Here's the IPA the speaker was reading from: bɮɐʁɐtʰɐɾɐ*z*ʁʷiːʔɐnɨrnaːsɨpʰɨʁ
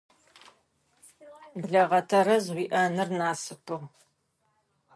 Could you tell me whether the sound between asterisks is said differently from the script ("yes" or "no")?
no